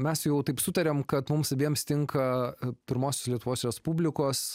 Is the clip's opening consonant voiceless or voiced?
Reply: voiced